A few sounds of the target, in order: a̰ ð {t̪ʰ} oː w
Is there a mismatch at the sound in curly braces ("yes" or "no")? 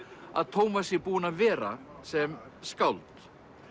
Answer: no